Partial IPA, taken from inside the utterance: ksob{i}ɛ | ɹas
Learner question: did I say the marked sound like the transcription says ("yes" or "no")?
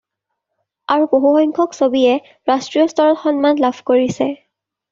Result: yes